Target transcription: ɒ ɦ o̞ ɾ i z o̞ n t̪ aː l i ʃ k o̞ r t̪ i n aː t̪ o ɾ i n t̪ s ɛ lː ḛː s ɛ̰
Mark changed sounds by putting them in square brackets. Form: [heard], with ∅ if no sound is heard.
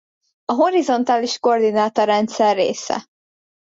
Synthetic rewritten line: ɒ ɦ o̞ ɾ i z o̞ n t̪ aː l i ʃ k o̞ r [d̪] i n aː t̪ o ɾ [ɛ] n t̪ s ɛ [rː] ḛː s ɛ̰